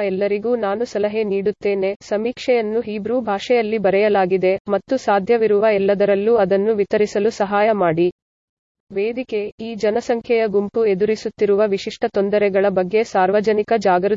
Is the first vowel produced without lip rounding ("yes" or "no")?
yes